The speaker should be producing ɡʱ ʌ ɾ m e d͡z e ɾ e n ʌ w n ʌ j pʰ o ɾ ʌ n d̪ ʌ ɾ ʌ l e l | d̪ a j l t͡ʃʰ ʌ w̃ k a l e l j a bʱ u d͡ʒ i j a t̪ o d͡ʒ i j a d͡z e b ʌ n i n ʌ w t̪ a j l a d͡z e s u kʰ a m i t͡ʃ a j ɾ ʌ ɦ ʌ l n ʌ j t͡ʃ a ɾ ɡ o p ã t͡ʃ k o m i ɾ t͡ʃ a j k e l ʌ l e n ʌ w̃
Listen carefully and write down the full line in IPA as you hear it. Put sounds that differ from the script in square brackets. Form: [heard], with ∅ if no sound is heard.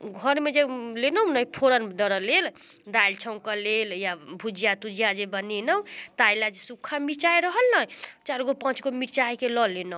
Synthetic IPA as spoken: ɡʱ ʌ ɾ m e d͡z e [l] e n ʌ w n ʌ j pʰ o ɾ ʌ n d̪ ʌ ɾ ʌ l e l | d̪ a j l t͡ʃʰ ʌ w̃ k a l e l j a bʱ u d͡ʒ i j a t̪ [u] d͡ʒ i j a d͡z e b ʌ n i n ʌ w t̪ a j l a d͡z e s u kʰ a m i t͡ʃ a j ɾ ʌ ɦ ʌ l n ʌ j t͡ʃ a ɾ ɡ o p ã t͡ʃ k o m i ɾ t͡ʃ a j k e l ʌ l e n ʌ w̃